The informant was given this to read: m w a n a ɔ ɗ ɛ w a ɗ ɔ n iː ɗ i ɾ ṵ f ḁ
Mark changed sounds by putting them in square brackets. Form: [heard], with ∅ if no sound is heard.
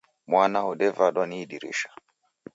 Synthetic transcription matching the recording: m w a n a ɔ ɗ ɛ [v] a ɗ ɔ n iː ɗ i ɾ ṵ [ʃ] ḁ

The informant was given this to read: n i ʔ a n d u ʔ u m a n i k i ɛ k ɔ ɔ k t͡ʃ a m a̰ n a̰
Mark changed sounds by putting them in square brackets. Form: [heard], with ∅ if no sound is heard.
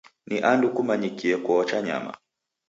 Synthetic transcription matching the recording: n i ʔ a n d u [k] u m a [ɲ] i k i ɛ k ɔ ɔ [∅] t͡ʃ a [ɲ] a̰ [m] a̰

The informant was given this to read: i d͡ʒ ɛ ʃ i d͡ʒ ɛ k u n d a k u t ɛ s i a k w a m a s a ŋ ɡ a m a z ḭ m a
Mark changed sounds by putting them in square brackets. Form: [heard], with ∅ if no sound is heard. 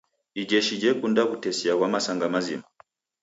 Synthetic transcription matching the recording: i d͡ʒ ɛ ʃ i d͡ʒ ɛ k u n d a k u t ɛ s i a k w a m a s a ŋ ɡ a m a z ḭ m a

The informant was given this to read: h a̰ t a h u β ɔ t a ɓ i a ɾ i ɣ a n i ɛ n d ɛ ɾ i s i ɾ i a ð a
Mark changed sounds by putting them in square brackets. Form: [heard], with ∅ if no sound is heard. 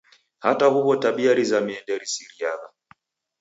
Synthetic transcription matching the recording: h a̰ t a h u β ɔ t a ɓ i a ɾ i [z] a [m] i ɛ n d ɛ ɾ i s i ɾ i a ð a

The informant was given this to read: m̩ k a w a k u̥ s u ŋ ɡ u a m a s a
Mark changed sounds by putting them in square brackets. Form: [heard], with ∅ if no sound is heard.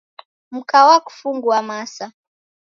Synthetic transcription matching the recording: m̩ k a w a k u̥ [f] u ŋ ɡ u a m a s a

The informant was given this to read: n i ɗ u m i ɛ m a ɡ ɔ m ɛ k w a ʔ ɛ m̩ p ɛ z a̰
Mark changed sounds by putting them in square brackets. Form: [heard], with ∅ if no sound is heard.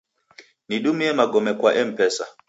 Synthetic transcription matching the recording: n i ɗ u m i ɛ m a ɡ ɔ m ɛ k w a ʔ ɛ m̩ p ɛ [s] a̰

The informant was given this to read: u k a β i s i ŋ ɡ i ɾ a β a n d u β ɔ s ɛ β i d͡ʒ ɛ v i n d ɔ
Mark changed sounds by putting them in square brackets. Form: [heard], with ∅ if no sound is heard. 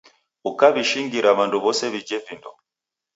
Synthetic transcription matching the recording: u k a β i [ʃ] i ŋ ɡ i ɾ a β a n d u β ɔ s ɛ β i d͡ʒ ɛ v i n d ɔ

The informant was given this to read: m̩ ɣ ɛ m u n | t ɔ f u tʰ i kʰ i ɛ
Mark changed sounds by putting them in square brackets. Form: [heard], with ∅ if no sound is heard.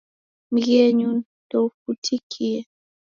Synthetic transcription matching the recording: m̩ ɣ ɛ [ɲ] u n | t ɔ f u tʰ i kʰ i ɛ

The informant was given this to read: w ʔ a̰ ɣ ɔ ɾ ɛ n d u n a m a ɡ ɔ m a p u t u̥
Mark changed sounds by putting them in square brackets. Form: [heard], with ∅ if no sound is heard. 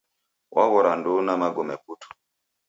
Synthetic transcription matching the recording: w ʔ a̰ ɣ ɔ ɾ [a] n d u n a m a ɡ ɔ m [ɛ] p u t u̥

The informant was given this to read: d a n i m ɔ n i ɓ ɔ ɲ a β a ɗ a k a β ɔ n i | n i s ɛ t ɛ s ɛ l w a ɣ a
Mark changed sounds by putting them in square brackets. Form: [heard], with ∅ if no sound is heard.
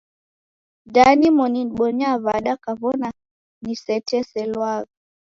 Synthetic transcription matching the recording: d a n i m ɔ n i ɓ ɔ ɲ a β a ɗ a k a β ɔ n [a] | n i s ɛ t ɛ s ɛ l w a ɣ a

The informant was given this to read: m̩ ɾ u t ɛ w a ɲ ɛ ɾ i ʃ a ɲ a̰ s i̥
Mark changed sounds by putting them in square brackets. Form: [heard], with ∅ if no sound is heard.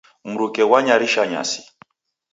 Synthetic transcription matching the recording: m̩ ɾ u [k] ɛ w a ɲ [a] ɾ i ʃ a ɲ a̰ s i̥

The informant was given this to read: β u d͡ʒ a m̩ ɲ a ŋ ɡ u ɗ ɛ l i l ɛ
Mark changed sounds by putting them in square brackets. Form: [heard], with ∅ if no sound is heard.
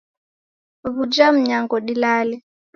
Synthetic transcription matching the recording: β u d͡ʒ a m̩ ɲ a ŋ ɡ [ɔ] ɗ [i] l [a] l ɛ

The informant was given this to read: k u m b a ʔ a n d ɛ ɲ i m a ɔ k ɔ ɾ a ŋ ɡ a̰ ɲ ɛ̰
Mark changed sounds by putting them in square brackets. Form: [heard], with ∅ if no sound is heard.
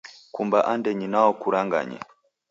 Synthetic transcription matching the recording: k u m b a ʔ a n d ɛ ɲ i [n] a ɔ k [u] ɾ a ŋ ɡ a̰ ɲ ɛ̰

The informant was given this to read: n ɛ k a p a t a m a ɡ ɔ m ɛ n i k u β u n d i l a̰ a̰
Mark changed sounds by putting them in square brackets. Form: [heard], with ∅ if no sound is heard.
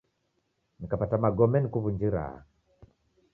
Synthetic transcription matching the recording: n [i] k a p a t a m a ɡ ɔ m ɛ n i k u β u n [d͡ʒ] i [ɾ] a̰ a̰

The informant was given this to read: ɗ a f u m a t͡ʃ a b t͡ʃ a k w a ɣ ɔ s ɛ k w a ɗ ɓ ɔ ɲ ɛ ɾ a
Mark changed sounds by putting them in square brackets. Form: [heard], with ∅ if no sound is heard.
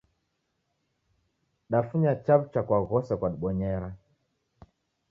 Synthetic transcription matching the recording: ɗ a f u [ɲ] a t͡ʃ a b t͡ʃ a k w a ɣ ɔ s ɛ k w a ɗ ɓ ɔ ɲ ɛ ɾ a

